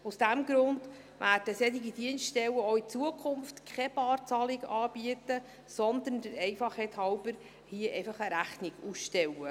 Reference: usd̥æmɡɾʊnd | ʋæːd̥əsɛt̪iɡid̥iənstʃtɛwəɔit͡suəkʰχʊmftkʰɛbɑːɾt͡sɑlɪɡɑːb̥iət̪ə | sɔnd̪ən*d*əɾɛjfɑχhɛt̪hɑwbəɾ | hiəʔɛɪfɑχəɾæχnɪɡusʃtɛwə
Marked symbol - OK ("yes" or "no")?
yes